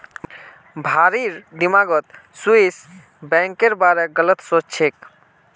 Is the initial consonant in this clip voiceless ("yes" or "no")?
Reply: no